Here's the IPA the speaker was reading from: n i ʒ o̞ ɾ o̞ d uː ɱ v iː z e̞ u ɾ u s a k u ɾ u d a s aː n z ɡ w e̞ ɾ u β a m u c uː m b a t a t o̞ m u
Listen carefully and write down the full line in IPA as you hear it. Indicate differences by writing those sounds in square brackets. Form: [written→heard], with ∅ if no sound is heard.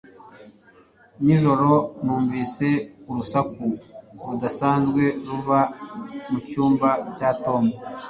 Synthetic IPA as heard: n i ʒ o̞ ɾ o̞ [d→n] uː ɱ v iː [z→s] e̞ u ɾ u s a k u ɾ u d a s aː n z ɡ w e̞ ɾ u [β→v] a m u c uː m b a [t→c] a t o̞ m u